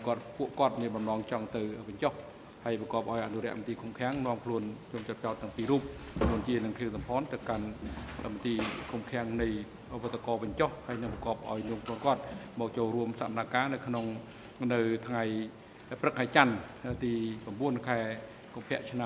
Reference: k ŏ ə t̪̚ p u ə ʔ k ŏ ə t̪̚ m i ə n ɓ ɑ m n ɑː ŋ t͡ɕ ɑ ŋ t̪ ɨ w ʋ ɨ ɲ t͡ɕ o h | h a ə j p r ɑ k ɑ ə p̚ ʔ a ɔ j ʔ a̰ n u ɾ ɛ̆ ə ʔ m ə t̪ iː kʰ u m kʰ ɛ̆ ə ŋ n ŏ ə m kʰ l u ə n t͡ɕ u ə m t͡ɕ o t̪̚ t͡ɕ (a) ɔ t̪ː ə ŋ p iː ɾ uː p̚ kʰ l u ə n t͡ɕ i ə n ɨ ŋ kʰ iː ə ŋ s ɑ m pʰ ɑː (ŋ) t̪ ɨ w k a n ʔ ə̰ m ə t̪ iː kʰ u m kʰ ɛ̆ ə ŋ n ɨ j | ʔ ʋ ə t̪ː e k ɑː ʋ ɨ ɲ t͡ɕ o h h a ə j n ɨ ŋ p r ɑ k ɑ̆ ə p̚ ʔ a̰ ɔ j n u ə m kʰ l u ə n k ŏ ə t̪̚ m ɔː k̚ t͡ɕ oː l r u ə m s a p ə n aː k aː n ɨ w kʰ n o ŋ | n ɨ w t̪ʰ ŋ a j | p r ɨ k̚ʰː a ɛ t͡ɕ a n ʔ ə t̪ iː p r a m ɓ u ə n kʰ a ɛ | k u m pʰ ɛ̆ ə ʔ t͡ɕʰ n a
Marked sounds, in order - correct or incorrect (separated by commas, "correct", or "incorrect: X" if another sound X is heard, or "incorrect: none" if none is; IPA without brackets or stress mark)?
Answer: correct, incorrect: n